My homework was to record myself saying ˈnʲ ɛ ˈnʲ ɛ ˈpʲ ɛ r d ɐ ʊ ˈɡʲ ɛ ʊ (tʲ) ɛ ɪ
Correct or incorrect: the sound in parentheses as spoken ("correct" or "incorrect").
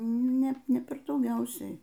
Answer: incorrect